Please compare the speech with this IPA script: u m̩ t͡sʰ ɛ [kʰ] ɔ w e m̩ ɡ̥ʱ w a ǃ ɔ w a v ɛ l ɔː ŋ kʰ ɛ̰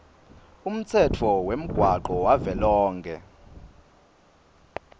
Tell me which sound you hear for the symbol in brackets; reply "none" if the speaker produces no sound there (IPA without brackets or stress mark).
tʰ